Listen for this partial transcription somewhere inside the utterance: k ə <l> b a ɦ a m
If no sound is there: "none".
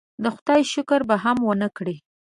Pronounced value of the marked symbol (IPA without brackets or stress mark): ɾ